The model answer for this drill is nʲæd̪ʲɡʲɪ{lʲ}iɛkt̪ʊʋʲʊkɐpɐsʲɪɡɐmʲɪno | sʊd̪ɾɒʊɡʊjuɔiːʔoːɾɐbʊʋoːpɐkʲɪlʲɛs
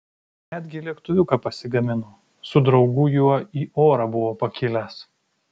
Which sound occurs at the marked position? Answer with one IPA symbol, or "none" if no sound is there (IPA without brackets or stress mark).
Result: lʲ